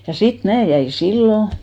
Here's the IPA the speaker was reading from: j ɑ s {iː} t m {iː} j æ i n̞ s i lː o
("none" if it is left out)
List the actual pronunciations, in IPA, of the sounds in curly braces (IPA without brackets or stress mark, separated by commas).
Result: i, æː